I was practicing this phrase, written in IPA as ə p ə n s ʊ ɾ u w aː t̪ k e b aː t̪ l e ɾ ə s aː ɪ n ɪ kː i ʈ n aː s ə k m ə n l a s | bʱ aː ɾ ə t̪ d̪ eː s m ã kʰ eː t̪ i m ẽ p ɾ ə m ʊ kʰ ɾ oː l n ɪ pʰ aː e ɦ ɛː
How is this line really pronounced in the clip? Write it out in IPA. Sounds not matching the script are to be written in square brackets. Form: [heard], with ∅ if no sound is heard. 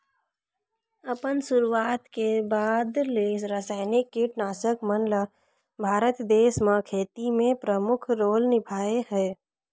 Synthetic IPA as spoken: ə p ə n s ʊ ɾ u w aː t̪ k e b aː [d̪] l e ɾ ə s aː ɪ n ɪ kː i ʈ n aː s ə k m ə n l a [∅] | bʱ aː ɾ ə t̪ d̪ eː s m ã kʰ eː t̪ i m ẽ p ɾ ə m ʊ kʰ ɾ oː l n ɪ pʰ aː e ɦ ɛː

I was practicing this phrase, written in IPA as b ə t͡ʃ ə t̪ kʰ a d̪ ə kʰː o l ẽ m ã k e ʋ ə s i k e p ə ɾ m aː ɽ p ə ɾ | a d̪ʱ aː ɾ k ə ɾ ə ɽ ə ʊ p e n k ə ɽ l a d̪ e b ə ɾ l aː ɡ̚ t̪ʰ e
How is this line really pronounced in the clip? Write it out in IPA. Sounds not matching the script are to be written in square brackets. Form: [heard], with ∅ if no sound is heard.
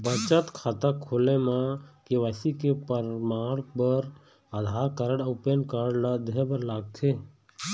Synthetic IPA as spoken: b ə t͡ʃ ə t̪ kʰ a [t̪] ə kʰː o l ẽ m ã k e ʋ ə s i k e p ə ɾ m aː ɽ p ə ɾ | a d̪ʱ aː ɾ k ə ɾ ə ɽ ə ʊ p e n k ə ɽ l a d̪ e b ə ɾ l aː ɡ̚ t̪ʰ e

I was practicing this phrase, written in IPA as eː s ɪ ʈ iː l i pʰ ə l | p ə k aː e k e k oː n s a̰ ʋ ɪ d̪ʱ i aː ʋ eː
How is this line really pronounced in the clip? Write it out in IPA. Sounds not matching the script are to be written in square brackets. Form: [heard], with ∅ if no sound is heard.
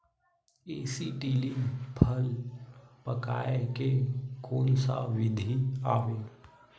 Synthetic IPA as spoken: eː s [i] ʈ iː l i pʰ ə l | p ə k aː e k e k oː n s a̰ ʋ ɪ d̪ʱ i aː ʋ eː

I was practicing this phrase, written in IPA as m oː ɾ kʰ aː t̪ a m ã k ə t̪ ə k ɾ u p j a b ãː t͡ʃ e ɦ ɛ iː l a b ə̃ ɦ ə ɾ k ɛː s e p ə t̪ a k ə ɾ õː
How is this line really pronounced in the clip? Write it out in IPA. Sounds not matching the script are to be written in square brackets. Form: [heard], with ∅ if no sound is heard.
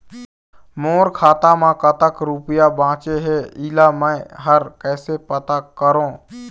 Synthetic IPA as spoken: m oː ɾ kʰ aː t̪ a m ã k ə t̪ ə k ɾ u p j a b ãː t͡ʃ e ɦ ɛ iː l a [m] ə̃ ɦ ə ɾ k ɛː s e p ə t̪ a k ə ɾ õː

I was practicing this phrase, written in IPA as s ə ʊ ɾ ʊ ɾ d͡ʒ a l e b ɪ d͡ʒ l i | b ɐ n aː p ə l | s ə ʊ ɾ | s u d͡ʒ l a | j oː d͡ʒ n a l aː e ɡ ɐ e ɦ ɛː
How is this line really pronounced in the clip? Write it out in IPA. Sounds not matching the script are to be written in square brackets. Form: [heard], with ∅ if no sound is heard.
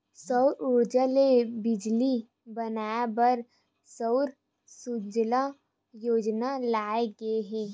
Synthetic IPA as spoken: s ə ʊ ɾ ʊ ɾ d͡ʒ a l e b ɪ d͡ʒ l i | b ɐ n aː [b] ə [ɾ] | s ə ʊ ɾ | s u d͡ʒ l a | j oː d͡ʒ n a l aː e ɡ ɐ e ɦ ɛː

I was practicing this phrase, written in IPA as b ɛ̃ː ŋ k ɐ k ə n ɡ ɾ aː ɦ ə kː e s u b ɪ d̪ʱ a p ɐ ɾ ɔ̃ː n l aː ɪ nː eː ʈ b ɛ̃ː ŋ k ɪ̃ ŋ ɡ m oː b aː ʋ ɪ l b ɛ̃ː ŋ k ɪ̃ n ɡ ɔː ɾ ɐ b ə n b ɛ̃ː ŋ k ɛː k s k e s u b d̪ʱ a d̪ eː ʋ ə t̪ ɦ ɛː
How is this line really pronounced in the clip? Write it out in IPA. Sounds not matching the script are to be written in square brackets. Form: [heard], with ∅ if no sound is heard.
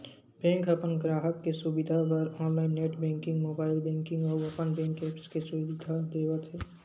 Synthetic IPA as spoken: b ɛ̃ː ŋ k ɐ [p] ə n ɡ ɾ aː ɦ ə kː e s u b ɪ d̪ʱ a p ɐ ɾ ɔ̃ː n l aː ɪ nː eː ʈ b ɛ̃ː ŋ k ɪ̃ ŋ ɡ m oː b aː [∅] ɪ l b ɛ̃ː ŋ k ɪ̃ [ŋ] ɡ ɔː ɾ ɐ [p] ə n b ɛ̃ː ŋ k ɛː [p] s k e s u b d̪ʱ a d̪ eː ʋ ə t̪ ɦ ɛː

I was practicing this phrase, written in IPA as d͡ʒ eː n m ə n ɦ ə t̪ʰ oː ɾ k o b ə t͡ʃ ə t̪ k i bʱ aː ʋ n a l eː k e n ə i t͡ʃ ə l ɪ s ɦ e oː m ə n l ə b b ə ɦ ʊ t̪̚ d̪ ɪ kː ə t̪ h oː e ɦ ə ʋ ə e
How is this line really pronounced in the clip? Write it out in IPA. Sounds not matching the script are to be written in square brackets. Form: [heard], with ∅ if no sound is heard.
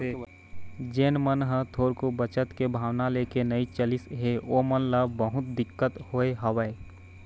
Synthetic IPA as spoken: d͡ʒ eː n m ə n ɦ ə t̪ʰ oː ɾ k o b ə t͡ʃ ə t̪ k [e] bʱ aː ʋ n a l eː k e n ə i t͡ʃ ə l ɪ s ɦ e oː m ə n l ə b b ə ɦ ʊ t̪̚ d̪ ɪ kː ə t̪ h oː e ɦ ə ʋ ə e

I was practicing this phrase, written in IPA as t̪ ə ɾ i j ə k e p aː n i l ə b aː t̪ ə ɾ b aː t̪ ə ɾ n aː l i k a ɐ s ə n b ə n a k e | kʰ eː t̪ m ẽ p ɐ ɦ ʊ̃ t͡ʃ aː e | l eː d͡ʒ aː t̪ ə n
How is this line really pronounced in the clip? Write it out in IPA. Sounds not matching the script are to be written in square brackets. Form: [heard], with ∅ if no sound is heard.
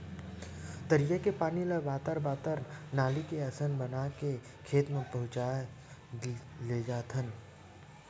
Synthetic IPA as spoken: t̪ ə ɾ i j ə k e p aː n i l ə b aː t̪ ə ɾ b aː t̪ ə ɾ n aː l i k [e] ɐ s ə n b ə n a k e | kʰ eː t̪ m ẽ p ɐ ɦ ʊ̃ t͡ʃ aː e | l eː d͡ʒ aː [t̪ʰ] ə n

